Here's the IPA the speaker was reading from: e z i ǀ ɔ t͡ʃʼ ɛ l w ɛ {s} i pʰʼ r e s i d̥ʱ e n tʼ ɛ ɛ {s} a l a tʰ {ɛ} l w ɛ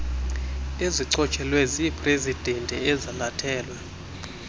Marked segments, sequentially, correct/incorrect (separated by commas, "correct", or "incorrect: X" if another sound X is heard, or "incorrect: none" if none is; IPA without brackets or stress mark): incorrect: z, incorrect: z, incorrect: ɛː